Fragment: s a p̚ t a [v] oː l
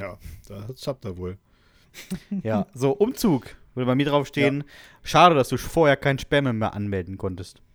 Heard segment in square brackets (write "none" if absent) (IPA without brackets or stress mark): v